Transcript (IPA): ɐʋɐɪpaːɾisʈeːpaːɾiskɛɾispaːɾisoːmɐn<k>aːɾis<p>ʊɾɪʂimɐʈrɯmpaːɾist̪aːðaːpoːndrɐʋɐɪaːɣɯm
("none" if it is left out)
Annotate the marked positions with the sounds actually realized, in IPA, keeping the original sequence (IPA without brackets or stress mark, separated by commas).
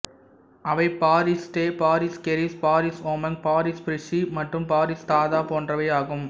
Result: p, p